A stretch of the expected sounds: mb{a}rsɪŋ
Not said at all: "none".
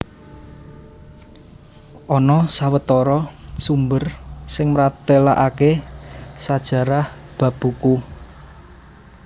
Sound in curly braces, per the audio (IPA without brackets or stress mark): ə